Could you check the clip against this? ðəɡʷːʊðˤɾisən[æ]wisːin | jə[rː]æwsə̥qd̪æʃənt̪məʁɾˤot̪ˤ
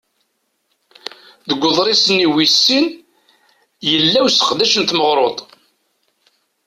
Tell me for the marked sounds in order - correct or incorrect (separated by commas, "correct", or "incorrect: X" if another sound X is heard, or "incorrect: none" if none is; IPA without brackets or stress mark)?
incorrect: i, incorrect: lː